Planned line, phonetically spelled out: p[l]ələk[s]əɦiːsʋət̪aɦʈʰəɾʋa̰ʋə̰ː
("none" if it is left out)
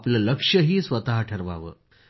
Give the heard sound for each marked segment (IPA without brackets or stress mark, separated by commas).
l, ʂ